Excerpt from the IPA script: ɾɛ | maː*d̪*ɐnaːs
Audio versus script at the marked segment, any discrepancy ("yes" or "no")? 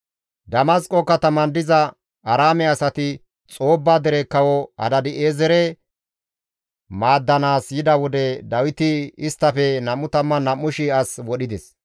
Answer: yes